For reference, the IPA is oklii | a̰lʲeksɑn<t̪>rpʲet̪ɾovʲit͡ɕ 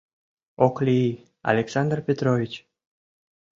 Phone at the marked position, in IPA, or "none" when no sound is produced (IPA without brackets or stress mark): d̪